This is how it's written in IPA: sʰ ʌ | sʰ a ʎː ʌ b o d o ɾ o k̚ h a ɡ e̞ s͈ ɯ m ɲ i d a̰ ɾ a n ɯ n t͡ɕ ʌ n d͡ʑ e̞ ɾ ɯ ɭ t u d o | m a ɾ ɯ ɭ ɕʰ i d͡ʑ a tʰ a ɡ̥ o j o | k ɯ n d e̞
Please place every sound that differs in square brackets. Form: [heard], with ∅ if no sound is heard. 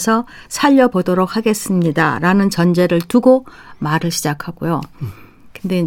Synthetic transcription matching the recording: sʰ ʌ | sʰ a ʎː ʌ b o d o ɾ o k̚ h a ɡ e̞ s͈ ɯ m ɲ i d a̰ ɾ a n ɯ n t͡ɕ ʌ n d͡ʑ e̞ ɾ ɯ ɭ t u [ɡ] o | m a ɾ ɯ ɭ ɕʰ i d͡ʑ a [kʰ] a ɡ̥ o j o | k ɯ n d e̞